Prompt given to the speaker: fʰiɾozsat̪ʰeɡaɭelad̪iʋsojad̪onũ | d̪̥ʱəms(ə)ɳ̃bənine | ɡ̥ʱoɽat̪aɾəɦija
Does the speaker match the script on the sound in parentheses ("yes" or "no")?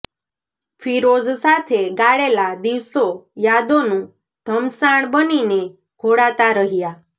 no